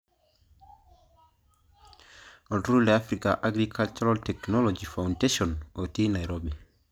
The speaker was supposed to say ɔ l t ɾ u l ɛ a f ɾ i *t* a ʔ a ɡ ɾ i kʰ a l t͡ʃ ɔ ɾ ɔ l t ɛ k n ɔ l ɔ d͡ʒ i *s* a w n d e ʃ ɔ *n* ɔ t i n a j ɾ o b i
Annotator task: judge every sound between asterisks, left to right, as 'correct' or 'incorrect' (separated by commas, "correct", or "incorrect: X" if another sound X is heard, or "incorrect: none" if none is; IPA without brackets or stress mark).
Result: incorrect: k, incorrect: f, correct